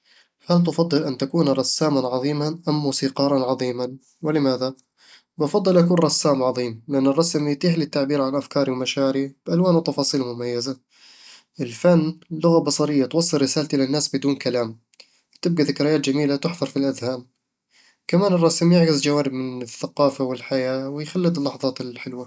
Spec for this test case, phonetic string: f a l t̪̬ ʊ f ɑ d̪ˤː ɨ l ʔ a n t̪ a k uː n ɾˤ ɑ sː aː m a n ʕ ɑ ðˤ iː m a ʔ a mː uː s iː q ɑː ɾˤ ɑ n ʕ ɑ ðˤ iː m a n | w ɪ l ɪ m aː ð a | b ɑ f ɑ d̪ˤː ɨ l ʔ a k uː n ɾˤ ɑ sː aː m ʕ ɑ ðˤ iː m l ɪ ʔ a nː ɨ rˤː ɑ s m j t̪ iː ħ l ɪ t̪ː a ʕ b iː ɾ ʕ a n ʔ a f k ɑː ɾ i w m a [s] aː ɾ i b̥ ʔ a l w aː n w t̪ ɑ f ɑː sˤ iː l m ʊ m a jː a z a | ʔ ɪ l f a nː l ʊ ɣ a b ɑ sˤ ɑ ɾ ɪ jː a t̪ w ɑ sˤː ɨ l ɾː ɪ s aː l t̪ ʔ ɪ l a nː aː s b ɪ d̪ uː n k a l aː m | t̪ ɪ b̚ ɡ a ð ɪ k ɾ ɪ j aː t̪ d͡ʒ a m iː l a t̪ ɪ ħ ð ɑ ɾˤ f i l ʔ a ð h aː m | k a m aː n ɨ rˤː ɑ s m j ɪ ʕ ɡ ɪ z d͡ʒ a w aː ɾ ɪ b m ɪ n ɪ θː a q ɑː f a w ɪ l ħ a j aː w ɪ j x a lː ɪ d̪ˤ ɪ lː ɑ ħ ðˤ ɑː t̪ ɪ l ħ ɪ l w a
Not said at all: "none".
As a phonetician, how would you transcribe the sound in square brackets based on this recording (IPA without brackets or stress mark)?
ʃ